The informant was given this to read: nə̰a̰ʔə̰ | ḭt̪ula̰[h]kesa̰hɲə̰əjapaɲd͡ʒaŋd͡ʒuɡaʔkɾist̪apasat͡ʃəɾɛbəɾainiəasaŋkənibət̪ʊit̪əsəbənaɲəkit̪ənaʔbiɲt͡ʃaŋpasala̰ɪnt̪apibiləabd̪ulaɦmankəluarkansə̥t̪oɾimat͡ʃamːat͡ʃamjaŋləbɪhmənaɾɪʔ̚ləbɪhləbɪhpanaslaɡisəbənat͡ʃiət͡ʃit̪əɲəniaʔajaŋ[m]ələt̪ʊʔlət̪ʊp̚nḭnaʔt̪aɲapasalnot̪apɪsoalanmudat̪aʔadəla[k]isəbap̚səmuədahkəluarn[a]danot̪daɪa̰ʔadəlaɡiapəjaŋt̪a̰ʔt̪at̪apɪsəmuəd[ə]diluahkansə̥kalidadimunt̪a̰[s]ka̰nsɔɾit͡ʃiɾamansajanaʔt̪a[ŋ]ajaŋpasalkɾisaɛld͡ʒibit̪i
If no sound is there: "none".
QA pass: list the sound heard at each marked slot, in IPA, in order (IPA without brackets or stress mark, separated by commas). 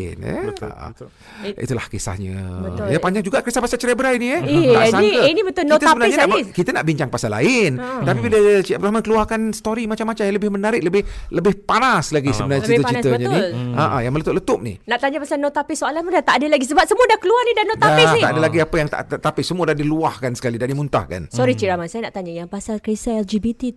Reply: h, m, ɡ, i, a, h, ɲ